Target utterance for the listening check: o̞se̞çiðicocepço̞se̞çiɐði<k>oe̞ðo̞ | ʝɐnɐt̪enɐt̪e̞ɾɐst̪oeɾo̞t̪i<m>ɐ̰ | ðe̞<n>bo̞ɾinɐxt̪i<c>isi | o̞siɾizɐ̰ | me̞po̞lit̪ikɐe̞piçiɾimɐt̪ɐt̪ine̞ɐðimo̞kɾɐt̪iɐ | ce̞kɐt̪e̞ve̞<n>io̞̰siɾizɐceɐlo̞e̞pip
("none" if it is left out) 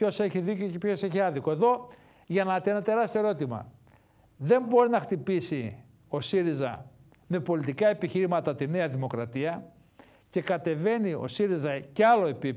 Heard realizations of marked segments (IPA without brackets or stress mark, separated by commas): k, m, m, p, n